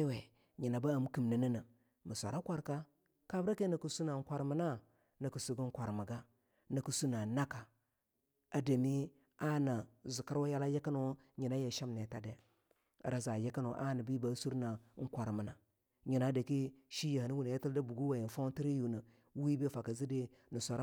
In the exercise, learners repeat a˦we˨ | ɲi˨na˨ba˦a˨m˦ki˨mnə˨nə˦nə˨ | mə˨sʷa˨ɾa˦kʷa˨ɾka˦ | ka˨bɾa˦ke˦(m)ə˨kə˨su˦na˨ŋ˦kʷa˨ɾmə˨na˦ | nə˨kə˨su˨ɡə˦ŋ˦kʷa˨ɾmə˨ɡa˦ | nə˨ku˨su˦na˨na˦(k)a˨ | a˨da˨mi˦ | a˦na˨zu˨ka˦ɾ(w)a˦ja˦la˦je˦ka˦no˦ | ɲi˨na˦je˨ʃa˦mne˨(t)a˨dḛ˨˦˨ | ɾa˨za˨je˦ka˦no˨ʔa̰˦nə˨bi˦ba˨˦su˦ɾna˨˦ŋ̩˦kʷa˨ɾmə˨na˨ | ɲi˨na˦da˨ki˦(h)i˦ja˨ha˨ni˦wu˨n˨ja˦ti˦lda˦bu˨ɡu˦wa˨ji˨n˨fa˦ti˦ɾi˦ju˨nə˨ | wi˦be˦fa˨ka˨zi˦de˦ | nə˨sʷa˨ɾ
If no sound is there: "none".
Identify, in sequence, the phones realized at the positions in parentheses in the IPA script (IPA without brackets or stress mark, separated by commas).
n, k, w, t, ʃ